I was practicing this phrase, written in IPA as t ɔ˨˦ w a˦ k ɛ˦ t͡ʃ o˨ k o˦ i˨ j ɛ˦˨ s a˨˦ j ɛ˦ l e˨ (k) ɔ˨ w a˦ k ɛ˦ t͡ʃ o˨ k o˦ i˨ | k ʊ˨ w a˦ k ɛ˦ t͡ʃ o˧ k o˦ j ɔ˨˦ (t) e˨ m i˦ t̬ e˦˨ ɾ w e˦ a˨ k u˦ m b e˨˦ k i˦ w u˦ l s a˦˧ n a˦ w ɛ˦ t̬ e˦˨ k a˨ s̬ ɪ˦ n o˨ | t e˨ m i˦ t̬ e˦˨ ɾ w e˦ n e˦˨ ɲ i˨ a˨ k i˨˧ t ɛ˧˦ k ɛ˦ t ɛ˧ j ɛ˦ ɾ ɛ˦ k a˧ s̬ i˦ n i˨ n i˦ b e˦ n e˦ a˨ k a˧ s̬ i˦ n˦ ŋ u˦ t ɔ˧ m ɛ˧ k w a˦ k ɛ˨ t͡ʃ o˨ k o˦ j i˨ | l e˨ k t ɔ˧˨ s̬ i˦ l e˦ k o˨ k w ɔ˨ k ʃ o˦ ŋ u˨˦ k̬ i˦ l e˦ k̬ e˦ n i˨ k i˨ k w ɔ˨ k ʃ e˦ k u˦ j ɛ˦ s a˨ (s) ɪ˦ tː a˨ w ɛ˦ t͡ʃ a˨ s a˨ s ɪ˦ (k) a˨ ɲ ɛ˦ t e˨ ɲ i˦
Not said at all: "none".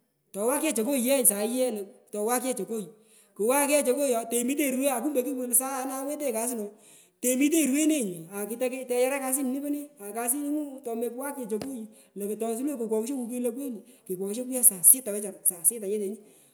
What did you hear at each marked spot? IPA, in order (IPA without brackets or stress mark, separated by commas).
t, t, s, t